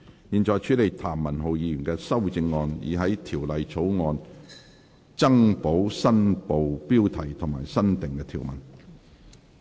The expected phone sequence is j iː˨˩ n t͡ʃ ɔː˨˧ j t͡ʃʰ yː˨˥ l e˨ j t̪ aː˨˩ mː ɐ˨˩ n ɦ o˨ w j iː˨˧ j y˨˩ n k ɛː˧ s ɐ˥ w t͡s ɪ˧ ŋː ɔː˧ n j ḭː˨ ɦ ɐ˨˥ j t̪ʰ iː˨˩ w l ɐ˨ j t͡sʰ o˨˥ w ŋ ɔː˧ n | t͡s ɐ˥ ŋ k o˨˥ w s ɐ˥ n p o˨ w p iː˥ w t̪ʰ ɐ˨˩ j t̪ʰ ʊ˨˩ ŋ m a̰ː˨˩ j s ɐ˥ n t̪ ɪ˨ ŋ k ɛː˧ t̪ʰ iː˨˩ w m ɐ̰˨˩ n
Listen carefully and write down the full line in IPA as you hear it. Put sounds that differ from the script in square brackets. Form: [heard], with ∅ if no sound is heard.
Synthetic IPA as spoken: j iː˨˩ n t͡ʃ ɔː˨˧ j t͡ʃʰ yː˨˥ l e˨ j [t̪ʰ] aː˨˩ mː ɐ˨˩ n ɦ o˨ w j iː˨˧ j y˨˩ n k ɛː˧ s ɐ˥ w t͡s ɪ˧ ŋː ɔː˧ n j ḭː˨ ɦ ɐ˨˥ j t̪ʰ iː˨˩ w l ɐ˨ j t͡sʰ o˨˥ w ŋ ɔː˧ n | t͡s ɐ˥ ŋ [p] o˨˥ w s ɐ˥ n p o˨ w p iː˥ w t̪ʰ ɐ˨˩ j t̪ʰ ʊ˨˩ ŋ m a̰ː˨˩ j s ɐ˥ n t̪ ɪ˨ ŋ k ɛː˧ t̪ʰ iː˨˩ w m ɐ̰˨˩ n